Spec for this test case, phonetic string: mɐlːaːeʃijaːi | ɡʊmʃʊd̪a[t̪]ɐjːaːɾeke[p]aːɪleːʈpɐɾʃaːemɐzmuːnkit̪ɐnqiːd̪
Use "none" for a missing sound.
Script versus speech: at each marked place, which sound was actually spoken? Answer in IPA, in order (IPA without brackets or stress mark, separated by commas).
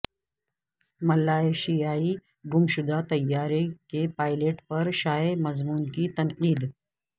t̪, p